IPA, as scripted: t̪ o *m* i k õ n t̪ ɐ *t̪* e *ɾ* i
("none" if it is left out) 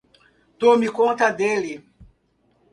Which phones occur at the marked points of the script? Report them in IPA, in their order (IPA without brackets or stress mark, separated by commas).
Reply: m, d̪, l